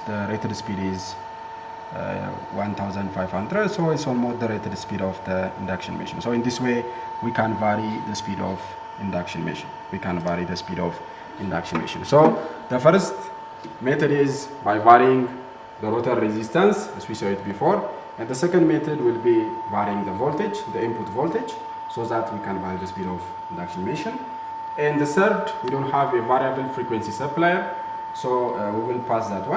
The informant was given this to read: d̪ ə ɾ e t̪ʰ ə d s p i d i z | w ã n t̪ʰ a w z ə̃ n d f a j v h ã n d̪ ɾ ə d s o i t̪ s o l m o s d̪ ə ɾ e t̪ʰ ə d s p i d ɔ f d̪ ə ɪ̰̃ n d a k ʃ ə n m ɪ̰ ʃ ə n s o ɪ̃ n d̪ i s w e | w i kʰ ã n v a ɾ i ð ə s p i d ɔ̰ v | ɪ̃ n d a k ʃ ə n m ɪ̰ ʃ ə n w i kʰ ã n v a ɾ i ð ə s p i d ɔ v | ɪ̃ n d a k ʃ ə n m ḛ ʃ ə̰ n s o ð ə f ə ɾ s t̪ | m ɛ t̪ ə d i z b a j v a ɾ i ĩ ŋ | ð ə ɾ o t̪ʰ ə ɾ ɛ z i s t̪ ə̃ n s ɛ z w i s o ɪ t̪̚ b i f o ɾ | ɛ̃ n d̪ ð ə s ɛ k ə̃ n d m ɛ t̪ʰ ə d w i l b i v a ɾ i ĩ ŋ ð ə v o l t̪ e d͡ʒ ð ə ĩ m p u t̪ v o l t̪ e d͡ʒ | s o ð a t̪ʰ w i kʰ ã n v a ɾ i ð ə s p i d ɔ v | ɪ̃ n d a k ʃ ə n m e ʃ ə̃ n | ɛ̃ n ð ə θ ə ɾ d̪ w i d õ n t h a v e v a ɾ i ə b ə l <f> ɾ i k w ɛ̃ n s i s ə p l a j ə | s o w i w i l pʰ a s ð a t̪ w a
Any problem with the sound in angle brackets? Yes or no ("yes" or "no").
no